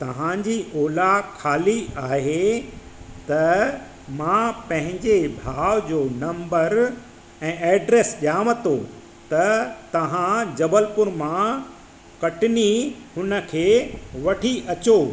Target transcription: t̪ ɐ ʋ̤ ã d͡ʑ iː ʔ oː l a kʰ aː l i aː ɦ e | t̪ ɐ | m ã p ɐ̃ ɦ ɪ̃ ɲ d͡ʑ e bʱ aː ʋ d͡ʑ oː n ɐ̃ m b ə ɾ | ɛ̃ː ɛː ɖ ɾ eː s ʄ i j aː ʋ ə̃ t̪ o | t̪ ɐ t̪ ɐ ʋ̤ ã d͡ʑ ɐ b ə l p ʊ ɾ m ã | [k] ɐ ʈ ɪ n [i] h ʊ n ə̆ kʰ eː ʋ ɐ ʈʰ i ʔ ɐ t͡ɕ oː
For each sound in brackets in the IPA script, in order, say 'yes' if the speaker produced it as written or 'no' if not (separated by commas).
yes, yes